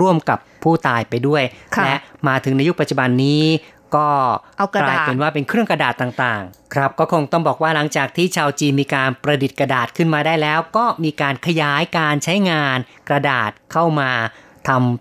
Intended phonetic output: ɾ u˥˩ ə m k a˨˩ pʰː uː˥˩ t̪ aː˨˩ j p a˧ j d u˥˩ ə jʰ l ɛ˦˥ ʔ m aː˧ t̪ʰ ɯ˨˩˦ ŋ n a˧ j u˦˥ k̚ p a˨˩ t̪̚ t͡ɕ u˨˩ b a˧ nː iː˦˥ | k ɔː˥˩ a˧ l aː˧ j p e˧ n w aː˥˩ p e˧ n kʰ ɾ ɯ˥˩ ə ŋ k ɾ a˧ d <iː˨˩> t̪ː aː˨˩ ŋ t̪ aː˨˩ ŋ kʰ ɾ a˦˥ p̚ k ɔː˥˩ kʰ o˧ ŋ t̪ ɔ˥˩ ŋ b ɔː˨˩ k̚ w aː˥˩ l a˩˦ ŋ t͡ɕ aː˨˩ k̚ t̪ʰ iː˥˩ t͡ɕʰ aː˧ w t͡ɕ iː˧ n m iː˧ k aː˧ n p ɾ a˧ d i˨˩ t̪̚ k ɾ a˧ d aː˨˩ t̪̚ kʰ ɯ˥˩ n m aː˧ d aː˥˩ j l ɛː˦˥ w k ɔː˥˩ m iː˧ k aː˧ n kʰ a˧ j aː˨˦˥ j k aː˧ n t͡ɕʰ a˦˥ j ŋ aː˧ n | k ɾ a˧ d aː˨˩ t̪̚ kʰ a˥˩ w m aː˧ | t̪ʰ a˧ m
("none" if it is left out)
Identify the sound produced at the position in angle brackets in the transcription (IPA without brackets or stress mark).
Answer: aː˨˩